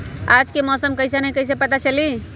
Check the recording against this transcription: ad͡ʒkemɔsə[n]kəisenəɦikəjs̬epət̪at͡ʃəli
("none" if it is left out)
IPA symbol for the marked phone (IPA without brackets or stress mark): m